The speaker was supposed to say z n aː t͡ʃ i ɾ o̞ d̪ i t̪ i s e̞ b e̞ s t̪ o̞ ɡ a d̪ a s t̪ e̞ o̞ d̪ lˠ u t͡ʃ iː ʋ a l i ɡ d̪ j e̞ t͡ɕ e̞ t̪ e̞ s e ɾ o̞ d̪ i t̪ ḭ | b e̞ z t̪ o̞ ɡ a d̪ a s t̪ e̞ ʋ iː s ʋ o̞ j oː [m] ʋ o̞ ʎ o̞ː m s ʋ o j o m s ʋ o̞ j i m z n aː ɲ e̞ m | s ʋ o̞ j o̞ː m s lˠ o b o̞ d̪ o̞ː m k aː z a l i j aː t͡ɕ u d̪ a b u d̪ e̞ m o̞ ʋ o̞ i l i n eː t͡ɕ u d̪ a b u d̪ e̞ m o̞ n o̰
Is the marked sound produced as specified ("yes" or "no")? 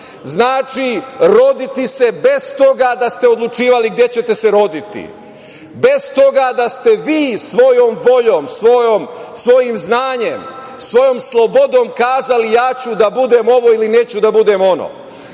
yes